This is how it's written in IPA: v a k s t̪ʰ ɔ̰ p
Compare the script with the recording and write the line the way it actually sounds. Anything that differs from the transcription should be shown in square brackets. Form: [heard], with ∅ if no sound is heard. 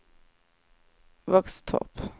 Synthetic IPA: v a k s t̪ʰ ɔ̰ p